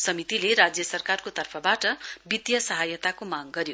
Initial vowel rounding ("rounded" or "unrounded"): unrounded